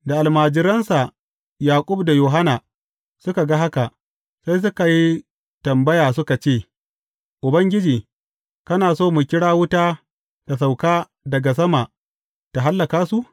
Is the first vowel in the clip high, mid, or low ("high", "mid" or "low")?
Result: low